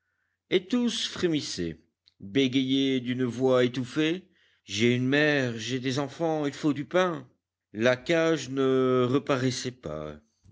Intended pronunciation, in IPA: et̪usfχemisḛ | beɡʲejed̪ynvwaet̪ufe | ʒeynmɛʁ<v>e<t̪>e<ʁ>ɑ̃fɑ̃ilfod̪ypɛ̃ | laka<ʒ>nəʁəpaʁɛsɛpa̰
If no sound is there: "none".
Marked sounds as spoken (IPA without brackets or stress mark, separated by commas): ʒ, d̪, z, ʒ